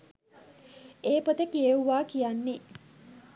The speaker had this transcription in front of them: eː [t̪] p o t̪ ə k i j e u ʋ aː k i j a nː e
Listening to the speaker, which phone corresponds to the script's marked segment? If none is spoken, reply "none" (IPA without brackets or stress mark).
none